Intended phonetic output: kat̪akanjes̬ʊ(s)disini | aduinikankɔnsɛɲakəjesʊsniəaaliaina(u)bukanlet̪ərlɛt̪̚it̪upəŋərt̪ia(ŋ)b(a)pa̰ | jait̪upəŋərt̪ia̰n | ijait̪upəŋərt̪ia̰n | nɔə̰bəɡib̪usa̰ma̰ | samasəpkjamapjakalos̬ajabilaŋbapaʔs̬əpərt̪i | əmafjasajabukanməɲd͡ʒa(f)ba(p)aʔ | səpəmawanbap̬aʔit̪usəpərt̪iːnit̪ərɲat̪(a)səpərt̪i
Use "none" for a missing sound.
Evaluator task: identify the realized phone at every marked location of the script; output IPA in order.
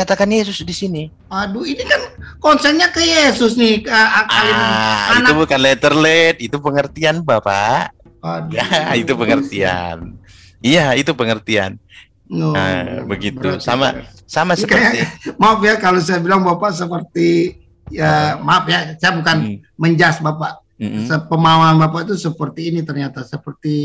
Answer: s, u, n, a, s, p, a

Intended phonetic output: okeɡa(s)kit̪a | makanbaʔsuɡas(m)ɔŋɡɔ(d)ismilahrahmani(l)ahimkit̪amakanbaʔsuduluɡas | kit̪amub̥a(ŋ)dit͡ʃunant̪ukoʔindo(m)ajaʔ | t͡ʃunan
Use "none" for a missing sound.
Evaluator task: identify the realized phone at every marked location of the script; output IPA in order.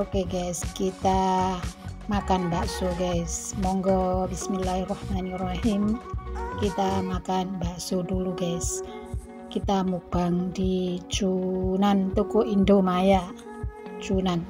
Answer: s, m, b, r, ŋ, m

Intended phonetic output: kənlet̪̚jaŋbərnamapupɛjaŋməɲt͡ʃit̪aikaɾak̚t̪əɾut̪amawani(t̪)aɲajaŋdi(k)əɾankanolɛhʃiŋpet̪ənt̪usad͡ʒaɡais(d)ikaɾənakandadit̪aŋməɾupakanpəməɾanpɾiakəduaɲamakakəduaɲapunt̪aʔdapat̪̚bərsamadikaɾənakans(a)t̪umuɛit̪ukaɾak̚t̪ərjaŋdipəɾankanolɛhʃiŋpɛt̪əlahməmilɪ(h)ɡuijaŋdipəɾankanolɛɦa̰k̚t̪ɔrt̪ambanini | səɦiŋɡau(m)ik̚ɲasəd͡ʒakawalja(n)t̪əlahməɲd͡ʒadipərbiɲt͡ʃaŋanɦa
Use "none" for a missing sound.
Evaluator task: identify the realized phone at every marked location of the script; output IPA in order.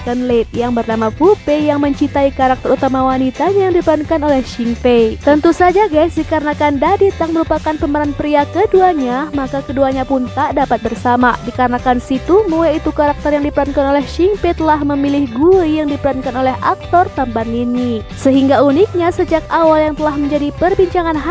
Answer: t̪, p, d, i, h, n, ŋ

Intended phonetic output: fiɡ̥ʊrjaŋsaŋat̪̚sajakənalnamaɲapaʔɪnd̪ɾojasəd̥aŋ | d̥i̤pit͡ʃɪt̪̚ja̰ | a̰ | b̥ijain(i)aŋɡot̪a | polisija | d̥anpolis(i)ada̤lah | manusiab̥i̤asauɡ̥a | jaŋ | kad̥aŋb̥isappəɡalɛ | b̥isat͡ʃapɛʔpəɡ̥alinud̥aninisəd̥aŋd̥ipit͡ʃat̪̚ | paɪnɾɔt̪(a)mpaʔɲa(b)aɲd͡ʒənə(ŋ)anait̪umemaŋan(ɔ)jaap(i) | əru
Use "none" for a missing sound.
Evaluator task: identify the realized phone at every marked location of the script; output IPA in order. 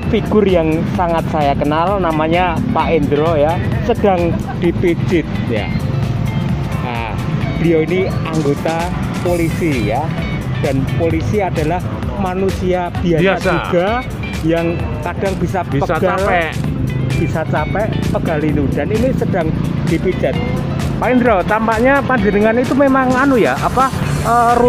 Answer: i, i, a, p, ŋ, u, a

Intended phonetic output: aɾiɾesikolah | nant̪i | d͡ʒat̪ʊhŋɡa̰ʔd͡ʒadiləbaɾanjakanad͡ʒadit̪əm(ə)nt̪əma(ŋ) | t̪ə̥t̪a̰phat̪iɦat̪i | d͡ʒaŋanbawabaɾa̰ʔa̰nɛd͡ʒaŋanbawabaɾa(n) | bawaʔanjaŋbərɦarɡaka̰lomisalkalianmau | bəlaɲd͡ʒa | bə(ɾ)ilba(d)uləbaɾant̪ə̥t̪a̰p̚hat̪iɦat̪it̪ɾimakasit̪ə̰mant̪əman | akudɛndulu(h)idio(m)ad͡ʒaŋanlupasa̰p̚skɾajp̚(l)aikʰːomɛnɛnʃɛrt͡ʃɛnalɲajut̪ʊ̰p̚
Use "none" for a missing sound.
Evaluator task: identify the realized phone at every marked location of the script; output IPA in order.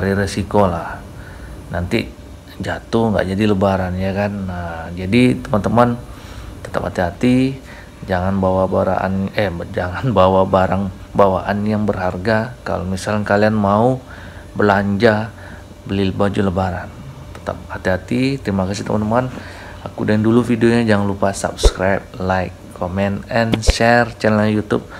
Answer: a, n, ŋ, l, d͡ʒ, f, ɲ, l

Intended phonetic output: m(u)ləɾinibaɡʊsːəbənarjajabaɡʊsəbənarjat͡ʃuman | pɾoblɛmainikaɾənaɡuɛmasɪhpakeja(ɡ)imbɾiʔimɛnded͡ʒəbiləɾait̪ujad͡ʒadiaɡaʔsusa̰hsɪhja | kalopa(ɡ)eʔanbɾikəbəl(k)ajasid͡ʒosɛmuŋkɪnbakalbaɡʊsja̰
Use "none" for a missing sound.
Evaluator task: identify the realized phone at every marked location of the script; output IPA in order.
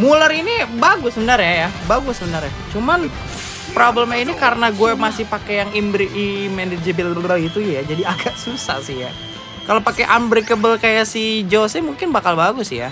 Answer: u, ŋ, k, k

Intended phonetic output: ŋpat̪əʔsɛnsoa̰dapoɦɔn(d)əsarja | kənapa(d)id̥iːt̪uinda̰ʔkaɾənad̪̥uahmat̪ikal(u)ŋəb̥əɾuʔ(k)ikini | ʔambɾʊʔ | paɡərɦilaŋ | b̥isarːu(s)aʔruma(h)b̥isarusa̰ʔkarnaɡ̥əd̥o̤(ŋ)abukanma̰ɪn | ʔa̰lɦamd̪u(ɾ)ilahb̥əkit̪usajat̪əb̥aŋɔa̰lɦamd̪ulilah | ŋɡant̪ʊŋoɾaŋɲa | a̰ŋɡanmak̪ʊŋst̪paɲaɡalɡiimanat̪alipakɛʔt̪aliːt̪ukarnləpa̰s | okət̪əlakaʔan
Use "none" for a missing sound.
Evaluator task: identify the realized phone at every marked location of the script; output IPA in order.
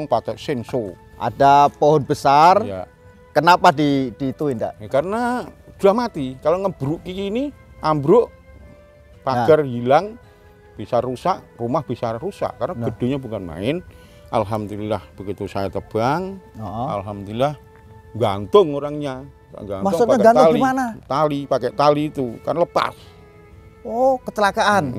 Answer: b, d, o, k, s, h, ɲ, l

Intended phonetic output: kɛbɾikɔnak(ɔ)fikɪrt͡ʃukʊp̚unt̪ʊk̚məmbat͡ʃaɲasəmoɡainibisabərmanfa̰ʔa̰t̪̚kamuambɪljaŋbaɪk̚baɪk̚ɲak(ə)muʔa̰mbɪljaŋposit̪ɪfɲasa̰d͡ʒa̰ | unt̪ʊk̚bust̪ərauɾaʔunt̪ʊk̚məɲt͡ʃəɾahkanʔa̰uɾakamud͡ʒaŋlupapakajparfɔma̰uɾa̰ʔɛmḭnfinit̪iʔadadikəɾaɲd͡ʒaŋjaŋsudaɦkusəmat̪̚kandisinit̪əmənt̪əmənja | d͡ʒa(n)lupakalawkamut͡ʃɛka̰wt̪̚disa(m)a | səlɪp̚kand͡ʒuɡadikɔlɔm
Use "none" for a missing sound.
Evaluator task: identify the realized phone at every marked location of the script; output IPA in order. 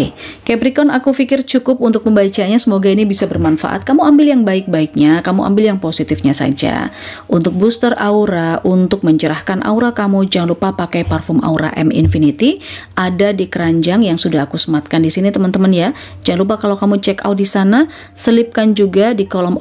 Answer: u, a, ŋ, n

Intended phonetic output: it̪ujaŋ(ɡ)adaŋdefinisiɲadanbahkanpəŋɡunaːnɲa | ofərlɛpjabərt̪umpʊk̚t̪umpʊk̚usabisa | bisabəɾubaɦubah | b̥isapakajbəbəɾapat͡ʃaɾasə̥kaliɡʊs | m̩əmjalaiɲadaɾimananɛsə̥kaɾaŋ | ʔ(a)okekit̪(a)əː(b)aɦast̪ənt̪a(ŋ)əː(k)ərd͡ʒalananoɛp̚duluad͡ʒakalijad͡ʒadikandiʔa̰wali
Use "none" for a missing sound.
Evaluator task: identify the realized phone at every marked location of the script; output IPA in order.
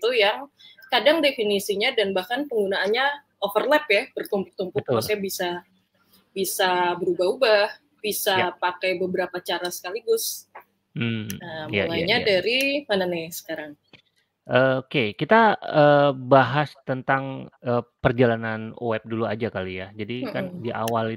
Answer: k, ə, a, b, ŋ, p

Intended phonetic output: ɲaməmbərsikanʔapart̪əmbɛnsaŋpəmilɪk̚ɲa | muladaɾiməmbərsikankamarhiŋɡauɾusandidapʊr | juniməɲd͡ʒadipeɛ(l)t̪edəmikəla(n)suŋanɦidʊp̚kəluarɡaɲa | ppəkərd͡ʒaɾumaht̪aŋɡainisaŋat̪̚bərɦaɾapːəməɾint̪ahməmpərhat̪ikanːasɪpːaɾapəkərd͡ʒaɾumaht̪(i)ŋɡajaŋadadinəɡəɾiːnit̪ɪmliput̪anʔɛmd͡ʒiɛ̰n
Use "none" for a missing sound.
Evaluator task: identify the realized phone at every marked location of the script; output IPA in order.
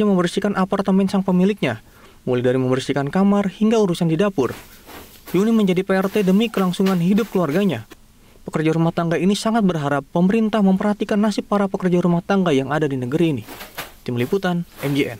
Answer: r, ŋ, a

